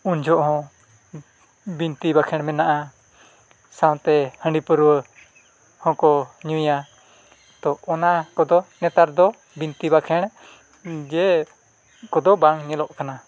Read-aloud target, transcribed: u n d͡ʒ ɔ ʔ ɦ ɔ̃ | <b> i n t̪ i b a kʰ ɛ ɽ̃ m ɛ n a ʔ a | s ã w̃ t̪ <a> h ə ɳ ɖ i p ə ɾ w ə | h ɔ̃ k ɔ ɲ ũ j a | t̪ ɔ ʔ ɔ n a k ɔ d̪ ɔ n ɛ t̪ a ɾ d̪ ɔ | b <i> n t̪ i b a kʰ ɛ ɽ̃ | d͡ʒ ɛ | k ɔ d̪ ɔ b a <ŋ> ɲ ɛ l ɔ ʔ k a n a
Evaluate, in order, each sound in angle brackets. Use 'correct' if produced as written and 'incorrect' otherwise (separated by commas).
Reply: correct, incorrect, correct, correct